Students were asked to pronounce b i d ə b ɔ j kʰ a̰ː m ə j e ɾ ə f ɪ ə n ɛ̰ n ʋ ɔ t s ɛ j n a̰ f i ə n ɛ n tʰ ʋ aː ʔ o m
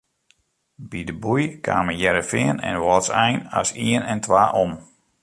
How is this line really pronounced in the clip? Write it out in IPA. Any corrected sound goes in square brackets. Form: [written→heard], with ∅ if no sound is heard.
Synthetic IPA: b i d ə b [ɔ→u] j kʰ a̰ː m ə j [e→ɛ] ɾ ə f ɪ ə n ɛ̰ n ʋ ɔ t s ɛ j n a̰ [f→s] i ə n ɛ n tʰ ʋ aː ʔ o m